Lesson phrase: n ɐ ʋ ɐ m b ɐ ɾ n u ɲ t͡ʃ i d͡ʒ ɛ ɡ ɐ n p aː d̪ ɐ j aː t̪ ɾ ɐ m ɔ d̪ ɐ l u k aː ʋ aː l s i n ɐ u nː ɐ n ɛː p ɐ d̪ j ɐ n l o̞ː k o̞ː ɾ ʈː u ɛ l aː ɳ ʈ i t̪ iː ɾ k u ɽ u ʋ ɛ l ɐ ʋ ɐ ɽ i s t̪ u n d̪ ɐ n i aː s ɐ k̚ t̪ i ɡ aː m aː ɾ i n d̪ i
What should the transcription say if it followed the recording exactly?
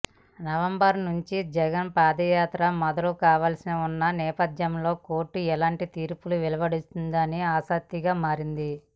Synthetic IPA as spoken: n ɐ ʋ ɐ m b ɐ ɾ n u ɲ t͡ʃ i d͡ʒ ɛ ɡ ɐ n p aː d̪ ɐ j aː t̪ ɾ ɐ m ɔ d̪ ɐ l u k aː ʋ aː l s i n ɐ u nː ɐ n ɛː p ɐ d̪ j ɐ m l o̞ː k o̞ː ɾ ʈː u ɛ l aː ɳ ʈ i t̪ iː ɾ p u l u ʋ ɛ l ɐ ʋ ɐ ɽ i s t̪ u n d̪ ɐ n i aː s ɐ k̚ t̪ i ɡ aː m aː ɾ i n d̪ i